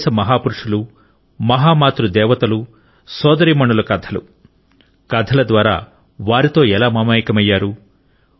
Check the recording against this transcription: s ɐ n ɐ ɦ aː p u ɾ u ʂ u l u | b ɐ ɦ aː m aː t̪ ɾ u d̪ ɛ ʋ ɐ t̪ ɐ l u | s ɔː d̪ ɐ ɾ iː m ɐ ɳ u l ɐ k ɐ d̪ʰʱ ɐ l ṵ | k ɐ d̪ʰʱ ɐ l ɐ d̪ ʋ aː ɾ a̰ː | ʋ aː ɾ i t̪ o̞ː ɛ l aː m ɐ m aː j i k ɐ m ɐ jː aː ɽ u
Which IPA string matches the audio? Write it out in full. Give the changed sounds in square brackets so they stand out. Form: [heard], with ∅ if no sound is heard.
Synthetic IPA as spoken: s ɐ [m] ɐ ɦ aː p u ɾ u ʂ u l u | [m] ɐ ɦ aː m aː t̪ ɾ u d̪ [ɛː] ʋ ɐ t̪ ɐ l u | s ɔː d̪ ɐ ɾ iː m ɐ ɳ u l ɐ k ɐ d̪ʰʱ ɐ l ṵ | k ɐ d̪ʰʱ ɐ l ɐ d̪ ʋ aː ɾ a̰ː | ʋ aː ɾ i t̪ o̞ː ɛ l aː m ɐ m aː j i k ɐ m ɐ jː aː [ɾ] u